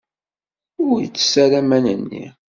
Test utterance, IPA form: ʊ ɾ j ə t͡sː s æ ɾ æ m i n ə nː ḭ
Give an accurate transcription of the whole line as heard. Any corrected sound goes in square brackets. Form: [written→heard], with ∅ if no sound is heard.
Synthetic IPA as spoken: ʊ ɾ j ə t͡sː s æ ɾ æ m [i→æ] n ə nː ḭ